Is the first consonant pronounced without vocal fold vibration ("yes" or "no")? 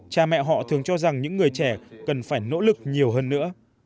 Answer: yes